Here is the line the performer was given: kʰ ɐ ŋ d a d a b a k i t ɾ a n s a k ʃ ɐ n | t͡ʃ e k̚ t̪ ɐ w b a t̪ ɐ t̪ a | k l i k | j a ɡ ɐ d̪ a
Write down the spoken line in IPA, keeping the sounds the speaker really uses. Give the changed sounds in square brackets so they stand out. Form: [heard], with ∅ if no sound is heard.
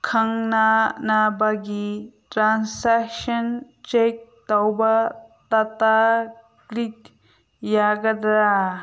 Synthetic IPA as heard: kʰ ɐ ŋ [n] a [n] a b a [ɡ] i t ɾ a n s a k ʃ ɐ n | t͡ʃ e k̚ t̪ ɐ w b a t̪ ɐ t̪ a | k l i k | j a ɡ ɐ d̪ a